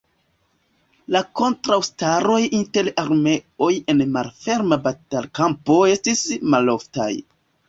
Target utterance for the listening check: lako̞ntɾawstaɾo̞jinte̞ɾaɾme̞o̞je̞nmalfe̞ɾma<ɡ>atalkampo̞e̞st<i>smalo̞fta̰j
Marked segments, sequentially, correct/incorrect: incorrect, correct

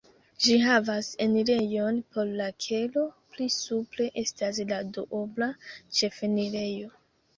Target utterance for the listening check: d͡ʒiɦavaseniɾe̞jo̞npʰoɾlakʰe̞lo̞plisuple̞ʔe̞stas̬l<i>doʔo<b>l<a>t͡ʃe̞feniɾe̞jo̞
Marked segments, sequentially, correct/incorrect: incorrect, correct, correct

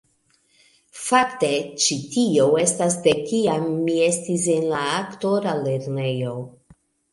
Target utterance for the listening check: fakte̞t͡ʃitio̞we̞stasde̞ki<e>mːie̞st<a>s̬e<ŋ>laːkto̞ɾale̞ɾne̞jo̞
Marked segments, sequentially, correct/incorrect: incorrect, incorrect, incorrect

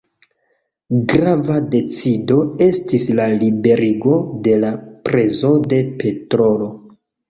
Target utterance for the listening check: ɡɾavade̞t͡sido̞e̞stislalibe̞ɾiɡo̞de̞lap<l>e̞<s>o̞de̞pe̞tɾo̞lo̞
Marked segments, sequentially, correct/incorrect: incorrect, incorrect

